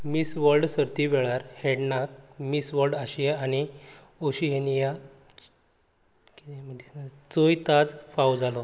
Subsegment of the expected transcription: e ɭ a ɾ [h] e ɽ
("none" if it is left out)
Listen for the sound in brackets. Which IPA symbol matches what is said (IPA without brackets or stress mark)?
h